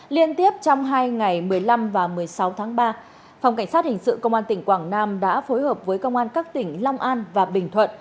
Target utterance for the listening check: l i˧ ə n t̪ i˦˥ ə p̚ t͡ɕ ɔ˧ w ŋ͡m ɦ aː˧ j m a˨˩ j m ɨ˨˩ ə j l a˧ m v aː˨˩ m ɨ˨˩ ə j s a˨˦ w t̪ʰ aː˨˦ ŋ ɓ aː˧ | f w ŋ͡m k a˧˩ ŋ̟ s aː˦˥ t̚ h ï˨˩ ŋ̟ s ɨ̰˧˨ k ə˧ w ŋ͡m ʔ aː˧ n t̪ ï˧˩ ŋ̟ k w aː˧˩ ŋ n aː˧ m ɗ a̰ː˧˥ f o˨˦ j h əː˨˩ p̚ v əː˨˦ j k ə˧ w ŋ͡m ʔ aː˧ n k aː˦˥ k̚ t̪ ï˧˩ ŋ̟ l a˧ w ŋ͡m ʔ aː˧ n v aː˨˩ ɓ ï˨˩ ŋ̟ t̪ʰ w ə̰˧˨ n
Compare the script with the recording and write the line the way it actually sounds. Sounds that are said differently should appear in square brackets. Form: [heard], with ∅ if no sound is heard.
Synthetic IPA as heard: l i˧ ə n t̪ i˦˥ ə p̚ t͡ɕ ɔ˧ w ŋ͡m ɦ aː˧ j [ŋ] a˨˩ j m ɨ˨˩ ə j l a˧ m v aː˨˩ m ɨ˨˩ ə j s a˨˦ w t̪ʰ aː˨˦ ŋ ɓ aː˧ | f w ŋ͡m k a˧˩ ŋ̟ s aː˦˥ t̚ h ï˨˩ ŋ̟ s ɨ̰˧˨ k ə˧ w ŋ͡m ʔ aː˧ n t̪ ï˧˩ ŋ̟ k w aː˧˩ ŋ n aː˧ m ɗ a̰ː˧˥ f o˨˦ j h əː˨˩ p̚ v əː˨˦ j k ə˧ w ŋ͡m ʔ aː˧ n k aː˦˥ k̚ t̪ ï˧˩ ŋ̟ l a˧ w ŋ͡m ʔ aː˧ n v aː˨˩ ɓ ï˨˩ ŋ̟ t̪ʰ w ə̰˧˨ n